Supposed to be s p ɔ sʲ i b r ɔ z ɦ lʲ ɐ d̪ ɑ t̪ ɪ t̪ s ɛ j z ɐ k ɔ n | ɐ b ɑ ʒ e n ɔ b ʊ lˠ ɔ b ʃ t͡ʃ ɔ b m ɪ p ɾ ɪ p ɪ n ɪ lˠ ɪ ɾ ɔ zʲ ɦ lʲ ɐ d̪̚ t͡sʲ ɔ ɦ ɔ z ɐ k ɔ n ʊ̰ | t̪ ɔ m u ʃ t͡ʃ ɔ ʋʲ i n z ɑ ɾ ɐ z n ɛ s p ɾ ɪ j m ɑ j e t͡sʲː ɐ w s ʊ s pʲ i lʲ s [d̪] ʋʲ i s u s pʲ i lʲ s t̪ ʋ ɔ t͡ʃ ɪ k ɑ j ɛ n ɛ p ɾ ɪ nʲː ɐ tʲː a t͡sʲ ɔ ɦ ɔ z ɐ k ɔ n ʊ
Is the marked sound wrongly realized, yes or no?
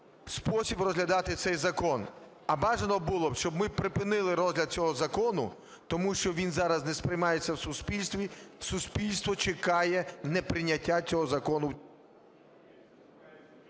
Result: yes